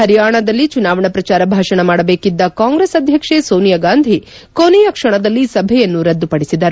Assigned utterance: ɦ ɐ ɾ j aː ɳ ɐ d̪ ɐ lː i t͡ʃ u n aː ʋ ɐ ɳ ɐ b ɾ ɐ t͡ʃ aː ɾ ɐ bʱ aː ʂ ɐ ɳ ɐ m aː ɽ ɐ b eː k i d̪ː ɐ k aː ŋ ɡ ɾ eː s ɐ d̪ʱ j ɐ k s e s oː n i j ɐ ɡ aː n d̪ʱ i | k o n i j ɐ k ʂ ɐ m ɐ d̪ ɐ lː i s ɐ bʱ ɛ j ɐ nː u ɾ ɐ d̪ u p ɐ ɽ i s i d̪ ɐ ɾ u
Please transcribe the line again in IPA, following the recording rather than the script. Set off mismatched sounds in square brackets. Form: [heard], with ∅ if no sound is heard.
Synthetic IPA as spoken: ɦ ɐ ɾ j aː ɳ ɐ d̪ ɐ lː i t͡ʃ u n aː ʋ ɐ ɳ ɐ [p] ɾ ɐ t͡ʃ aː ɾ ɐ bʱ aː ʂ ɐ ɳ ɐ m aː ɽ ɐ b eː k i d̪ː ɐ k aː ŋ ɡ ɾ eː s ɐ d̪ʱ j ɐ k [ʂ] e s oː n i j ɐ ɡ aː n d̪ʱ i | k o n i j ɐ k ʂ ɐ [ɳ] ɐ d̪ ɐ lː i s ɐ bʱ ɛ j ɐ nː u ɾ ɐ [d̪ː] u p ɐ ɽ i s i d̪ ɐ ɾ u